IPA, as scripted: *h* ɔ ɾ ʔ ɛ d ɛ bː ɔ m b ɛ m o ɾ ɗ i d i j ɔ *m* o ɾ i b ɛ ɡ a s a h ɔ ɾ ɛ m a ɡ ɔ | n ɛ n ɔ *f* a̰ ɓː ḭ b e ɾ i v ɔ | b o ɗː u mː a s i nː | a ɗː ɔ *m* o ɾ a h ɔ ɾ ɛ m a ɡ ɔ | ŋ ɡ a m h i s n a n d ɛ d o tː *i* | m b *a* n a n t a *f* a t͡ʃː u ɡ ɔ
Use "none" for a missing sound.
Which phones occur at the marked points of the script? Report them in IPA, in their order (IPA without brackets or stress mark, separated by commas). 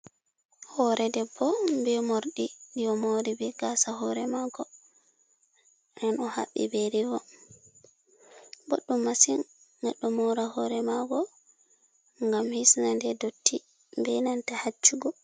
h, m, h, m, i, ɛ, h